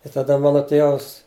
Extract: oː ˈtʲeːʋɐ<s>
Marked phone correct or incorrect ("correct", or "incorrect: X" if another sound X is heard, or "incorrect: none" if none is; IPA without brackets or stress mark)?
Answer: correct